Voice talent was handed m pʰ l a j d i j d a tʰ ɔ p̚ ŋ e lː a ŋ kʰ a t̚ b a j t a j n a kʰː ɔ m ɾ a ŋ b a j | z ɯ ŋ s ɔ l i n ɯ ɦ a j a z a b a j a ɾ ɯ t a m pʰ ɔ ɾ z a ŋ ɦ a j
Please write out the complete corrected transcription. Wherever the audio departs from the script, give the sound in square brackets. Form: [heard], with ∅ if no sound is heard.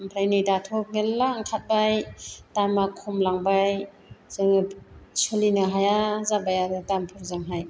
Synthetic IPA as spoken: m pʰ [ɾ] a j [n] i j d a tʰ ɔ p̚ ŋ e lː a ŋ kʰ a t̚ b a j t a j [m] a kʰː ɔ m [l] a ŋ b a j | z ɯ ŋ s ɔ l i n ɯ ɦ a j a z a b a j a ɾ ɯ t a m pʰ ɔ ɾ z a ŋ ɦ a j